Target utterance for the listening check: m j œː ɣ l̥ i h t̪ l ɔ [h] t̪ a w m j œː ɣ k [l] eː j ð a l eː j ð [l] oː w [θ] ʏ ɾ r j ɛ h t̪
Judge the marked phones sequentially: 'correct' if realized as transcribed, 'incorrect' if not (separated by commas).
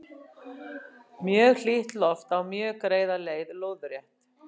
incorrect, incorrect, correct, incorrect